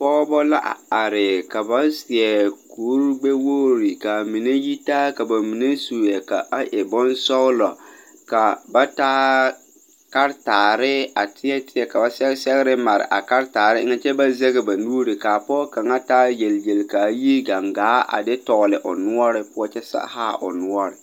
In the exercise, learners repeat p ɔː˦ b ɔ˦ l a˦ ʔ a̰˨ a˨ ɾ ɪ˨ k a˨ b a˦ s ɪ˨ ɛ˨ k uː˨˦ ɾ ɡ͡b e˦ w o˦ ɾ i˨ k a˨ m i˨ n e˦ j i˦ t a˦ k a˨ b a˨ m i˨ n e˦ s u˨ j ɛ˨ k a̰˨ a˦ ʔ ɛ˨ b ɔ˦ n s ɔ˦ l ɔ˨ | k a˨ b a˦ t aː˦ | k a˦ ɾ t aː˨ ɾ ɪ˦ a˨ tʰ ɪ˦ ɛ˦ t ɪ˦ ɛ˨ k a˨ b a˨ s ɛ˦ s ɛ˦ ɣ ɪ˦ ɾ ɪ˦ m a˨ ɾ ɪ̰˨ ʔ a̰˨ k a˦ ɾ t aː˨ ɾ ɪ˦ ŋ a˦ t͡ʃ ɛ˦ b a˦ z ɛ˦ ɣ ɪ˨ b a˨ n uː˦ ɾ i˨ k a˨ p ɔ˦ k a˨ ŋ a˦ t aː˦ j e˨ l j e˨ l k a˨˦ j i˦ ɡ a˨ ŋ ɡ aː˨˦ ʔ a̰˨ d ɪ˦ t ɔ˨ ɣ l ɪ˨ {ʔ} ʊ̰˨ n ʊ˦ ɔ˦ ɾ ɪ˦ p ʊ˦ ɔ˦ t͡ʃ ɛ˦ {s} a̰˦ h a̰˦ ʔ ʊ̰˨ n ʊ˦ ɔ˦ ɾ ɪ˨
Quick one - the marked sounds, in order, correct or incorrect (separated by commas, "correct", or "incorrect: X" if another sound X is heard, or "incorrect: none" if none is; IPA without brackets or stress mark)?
correct, correct